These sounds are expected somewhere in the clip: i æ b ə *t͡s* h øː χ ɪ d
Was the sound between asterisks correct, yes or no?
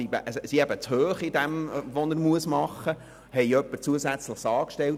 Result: yes